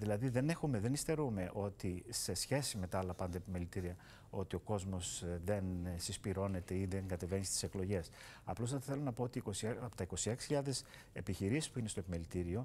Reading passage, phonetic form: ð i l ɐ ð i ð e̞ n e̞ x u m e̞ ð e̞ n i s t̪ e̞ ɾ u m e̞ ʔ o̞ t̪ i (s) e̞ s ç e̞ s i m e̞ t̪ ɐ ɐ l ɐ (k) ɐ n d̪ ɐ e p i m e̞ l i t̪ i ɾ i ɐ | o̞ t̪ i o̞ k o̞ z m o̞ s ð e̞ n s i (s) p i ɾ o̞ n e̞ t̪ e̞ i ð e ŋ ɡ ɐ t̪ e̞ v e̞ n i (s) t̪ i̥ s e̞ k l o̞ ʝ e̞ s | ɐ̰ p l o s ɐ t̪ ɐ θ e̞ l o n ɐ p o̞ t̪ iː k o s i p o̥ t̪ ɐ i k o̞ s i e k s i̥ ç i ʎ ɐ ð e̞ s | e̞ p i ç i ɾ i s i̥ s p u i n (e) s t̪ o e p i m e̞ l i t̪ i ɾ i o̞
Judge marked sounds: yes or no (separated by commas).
yes, no, yes, yes, yes